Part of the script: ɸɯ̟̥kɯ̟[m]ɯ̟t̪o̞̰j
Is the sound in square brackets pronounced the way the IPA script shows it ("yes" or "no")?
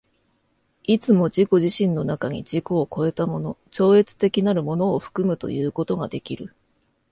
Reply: yes